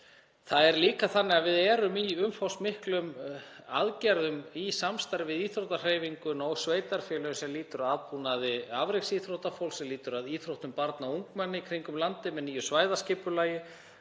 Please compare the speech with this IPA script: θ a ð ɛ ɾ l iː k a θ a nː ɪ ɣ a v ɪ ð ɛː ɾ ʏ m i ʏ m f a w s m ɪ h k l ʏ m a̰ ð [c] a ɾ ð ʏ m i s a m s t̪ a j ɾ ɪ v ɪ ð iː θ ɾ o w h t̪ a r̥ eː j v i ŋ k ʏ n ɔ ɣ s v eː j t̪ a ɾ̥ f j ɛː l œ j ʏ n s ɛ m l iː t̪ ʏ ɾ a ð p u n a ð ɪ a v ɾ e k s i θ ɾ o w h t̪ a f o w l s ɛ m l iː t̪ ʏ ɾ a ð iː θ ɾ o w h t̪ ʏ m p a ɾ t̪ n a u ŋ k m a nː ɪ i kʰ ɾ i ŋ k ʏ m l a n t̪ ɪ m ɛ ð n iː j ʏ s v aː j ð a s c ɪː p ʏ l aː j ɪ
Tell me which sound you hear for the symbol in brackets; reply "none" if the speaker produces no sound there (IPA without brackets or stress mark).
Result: c